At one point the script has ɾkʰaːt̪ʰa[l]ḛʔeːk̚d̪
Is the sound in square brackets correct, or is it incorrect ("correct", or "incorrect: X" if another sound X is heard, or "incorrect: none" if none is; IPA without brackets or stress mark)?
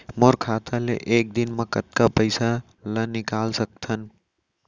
correct